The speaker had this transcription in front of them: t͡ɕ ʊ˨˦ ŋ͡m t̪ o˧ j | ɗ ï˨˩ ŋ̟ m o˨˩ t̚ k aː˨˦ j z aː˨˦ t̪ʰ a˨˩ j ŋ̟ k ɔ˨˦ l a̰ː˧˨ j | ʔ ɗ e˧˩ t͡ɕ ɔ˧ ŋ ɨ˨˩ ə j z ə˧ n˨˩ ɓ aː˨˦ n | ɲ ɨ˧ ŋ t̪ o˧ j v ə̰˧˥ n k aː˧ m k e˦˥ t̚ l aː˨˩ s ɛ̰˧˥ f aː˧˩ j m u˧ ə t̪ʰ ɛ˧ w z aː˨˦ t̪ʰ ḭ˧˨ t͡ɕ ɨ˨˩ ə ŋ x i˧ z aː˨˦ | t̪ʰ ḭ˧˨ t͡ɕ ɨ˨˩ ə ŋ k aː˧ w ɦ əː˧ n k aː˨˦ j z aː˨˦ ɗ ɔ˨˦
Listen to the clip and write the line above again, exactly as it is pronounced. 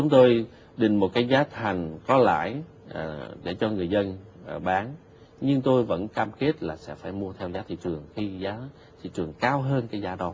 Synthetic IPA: t͡ɕ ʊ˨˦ ŋ͡m t̪ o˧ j | ɗ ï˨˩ ŋ̟ m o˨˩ t̚ k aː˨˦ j z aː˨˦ t̪ʰ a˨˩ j ŋ̟ k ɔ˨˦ l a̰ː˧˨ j | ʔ ɗ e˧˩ t͡ɕ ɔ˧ ŋ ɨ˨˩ ə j z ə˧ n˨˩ ɓ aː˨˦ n | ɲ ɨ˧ ŋ t̪ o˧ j v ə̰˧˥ n k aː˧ m k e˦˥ t̚ l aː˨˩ s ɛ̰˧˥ f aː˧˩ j m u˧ ə t̪ʰ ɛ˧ w z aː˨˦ t̪ʰ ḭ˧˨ t͡ɕ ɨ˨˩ ə ŋ x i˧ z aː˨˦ | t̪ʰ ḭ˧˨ t͡ɕ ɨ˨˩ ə ŋ k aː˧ w ɦ əː˧ n k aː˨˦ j z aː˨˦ ɗ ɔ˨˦